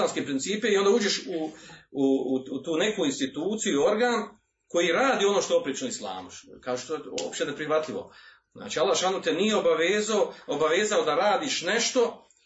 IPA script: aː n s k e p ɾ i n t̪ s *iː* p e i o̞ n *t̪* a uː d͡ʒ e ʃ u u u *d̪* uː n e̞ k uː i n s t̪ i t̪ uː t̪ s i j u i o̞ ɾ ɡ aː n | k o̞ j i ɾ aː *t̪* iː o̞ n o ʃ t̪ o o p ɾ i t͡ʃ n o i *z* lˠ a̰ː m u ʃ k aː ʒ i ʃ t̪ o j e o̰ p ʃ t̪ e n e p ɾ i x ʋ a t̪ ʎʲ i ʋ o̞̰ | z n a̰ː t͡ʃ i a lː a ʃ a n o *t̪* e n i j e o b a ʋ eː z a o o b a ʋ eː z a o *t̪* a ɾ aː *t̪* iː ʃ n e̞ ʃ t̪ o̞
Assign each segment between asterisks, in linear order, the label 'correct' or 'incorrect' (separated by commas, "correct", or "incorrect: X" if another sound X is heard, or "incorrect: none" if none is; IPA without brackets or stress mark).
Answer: correct, incorrect: d̪, incorrect: t̪, incorrect: d̪, incorrect: s, correct, incorrect: d̪, incorrect: d̪